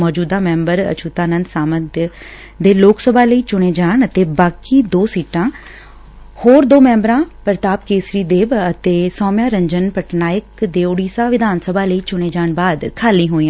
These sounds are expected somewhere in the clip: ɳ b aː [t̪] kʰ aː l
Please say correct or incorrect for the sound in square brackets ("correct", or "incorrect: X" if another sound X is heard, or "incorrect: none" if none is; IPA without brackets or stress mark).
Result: incorrect: d̪